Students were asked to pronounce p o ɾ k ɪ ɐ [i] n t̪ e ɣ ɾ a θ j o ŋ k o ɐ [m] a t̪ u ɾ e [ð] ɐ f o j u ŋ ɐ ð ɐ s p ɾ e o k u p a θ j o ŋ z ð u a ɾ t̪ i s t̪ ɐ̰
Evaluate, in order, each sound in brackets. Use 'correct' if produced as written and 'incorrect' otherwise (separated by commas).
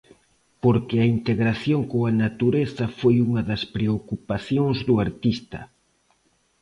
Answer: correct, incorrect, incorrect